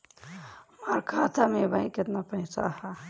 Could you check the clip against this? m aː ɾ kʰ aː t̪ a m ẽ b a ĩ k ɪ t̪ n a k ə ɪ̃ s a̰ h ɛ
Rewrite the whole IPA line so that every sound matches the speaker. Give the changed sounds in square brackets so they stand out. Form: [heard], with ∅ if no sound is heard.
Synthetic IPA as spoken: m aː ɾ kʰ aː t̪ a m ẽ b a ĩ k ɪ t̪ n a [p] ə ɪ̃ s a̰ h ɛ